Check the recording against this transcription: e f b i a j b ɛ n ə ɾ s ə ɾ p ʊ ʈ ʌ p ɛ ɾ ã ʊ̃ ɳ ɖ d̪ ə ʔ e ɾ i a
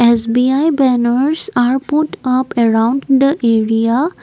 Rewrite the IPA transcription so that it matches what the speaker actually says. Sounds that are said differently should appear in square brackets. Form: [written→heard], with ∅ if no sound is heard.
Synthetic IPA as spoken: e [f→s] b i a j b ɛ n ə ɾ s [ə→a] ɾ p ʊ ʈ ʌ p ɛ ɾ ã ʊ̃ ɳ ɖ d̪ ə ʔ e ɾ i a